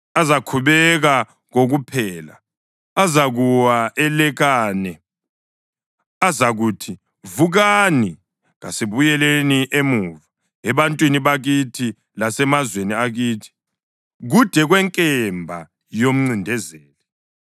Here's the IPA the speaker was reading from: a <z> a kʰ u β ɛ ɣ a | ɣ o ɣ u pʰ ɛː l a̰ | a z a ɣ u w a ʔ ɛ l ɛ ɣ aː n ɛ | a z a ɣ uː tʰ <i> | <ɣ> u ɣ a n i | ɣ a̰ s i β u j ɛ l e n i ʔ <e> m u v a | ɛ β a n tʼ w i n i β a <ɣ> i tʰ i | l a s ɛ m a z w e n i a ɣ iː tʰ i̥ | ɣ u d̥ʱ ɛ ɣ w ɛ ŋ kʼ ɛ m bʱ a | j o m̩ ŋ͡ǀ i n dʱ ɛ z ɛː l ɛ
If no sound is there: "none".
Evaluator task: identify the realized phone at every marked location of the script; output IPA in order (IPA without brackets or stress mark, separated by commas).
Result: z, i, v, e, ɣ